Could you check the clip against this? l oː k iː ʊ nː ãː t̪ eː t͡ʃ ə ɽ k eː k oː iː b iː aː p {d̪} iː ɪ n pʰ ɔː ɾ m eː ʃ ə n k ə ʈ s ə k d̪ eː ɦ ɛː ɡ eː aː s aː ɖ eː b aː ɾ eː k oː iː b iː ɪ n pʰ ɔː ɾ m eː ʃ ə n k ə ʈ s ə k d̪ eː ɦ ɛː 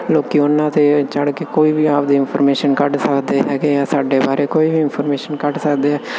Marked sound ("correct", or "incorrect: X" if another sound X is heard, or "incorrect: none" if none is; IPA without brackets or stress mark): correct